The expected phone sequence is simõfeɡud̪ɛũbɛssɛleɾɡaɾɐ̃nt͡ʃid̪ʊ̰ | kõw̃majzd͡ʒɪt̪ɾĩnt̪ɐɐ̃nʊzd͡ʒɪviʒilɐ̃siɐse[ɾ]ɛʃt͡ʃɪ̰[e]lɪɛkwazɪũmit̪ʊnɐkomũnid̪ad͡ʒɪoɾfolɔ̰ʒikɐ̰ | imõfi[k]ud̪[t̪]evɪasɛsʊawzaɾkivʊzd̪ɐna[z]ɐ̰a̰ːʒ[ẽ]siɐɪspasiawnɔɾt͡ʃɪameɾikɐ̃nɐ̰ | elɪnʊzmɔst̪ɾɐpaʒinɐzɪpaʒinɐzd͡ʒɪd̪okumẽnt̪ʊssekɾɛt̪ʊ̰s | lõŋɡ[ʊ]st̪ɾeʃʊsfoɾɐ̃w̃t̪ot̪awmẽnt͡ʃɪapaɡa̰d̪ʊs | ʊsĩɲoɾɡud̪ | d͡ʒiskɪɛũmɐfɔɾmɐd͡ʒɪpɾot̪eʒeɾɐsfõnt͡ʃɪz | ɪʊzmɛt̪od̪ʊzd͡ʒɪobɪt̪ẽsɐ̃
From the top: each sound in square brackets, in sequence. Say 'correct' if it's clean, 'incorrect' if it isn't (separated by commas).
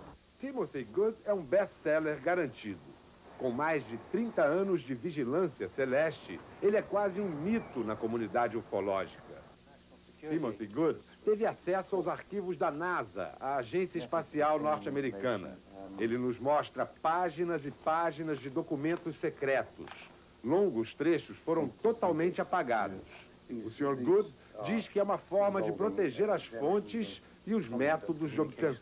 incorrect, correct, incorrect, correct, correct, correct, correct